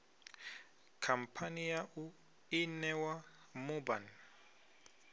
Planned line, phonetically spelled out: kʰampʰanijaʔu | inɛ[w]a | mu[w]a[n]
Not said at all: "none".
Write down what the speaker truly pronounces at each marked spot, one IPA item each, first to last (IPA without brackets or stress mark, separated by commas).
w, b, n